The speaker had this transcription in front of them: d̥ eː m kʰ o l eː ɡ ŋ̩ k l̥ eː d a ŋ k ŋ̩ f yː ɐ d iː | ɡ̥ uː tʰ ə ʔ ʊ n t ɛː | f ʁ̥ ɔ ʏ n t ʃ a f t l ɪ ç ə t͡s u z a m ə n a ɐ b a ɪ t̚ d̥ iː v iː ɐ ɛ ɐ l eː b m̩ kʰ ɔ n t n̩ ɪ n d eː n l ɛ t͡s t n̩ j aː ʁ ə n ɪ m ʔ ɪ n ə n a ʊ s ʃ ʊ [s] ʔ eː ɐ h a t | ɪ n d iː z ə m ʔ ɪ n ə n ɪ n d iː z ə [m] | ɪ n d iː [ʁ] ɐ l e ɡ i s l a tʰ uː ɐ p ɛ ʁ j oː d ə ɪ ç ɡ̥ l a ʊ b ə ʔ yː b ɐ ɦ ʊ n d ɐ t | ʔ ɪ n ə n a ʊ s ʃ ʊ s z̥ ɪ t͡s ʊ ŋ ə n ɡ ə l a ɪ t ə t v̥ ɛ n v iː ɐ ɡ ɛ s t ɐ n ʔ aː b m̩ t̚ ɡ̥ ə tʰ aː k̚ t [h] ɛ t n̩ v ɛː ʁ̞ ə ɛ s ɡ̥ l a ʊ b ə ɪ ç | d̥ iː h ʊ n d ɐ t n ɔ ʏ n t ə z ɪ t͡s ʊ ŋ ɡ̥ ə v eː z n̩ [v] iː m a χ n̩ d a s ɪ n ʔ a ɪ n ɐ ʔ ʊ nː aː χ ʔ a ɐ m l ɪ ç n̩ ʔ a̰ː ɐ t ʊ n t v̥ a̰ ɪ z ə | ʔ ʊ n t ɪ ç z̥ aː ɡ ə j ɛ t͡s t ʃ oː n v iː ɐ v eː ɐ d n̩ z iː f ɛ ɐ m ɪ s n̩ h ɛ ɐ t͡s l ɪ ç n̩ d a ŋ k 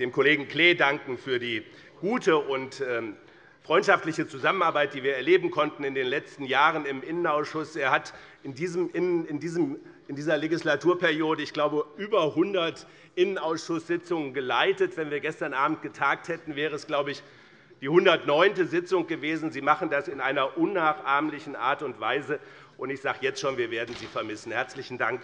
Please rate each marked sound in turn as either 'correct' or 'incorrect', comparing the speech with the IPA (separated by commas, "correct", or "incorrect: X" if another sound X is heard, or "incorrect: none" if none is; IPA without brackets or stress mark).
correct, correct, incorrect: z, correct, incorrect: z